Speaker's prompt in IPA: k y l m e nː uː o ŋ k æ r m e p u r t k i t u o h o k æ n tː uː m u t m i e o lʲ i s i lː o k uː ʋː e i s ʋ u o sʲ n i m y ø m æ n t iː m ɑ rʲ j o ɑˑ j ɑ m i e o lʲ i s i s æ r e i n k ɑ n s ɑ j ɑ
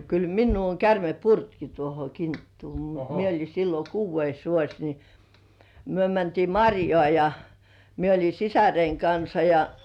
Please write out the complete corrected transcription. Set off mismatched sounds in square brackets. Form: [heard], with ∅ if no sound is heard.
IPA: k y l m [i] nː uː o ŋ k æ r m e p u r t k i t u o h o k [i] n tː uː m u t m i e o lʲ i s i lː o k uː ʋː e i s ʋ u o sʲ n i m y ø m æ n t iː m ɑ rʲ j o ɑˑ j ɑ m i e o lʲ i s i s æ r e i [ŋ] k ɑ n s ɑ j ɑ